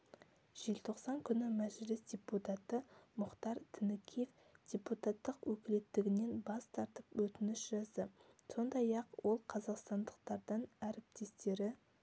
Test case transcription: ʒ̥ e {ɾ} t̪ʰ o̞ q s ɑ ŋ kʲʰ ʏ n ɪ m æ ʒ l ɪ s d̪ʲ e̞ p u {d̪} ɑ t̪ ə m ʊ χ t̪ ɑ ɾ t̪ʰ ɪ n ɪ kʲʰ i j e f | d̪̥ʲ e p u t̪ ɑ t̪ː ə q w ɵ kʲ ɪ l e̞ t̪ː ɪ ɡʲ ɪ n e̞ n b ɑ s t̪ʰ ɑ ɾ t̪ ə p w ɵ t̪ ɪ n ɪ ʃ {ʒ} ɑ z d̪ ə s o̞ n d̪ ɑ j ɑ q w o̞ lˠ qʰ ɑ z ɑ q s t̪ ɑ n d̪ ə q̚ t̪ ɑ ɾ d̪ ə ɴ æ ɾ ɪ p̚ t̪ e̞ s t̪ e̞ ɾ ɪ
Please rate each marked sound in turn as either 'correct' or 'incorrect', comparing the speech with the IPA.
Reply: incorrect, incorrect, correct

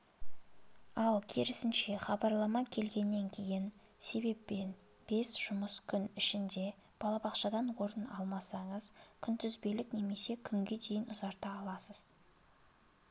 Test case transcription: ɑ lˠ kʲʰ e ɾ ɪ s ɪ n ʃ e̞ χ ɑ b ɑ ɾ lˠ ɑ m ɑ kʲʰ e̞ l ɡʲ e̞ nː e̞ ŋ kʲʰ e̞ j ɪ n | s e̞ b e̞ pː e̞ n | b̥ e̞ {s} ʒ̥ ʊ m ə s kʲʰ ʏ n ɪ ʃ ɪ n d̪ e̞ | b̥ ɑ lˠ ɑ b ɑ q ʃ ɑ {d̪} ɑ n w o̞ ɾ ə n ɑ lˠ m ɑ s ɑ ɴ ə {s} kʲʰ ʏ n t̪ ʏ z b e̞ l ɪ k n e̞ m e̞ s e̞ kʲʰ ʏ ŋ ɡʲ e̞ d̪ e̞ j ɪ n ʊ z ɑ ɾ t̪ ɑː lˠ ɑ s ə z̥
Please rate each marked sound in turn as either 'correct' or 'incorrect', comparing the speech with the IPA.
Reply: correct, correct, incorrect

